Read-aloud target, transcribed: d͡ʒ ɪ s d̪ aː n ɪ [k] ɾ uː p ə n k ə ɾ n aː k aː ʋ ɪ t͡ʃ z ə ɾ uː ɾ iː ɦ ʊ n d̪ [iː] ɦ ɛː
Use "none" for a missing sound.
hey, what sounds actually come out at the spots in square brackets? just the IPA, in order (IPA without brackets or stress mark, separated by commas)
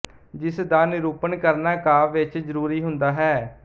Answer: none, aː